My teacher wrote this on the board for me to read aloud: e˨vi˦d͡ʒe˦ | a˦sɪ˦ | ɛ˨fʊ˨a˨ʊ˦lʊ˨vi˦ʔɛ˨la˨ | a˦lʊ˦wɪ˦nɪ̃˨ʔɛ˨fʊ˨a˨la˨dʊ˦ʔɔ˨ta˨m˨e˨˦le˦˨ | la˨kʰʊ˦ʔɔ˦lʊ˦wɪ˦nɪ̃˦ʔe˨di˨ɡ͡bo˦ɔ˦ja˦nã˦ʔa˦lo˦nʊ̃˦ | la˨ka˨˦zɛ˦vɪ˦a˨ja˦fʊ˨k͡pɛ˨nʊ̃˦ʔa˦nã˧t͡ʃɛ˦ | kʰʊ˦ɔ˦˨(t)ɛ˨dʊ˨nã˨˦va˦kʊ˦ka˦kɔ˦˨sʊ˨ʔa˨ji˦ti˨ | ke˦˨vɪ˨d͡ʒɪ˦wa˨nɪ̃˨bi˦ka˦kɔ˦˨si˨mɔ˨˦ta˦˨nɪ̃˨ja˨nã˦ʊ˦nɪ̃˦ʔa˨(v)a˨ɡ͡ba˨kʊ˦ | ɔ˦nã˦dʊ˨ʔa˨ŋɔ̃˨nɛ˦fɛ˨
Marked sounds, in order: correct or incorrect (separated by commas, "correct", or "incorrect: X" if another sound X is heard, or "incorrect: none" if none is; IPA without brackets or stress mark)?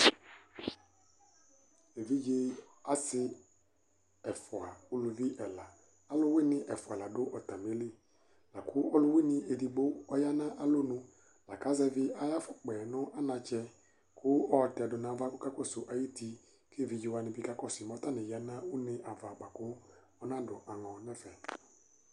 correct, correct